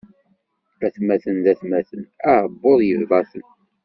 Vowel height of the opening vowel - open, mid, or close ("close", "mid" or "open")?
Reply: open